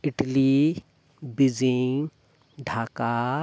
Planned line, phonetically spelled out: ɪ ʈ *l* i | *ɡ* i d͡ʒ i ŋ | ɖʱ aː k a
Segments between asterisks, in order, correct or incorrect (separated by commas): correct, incorrect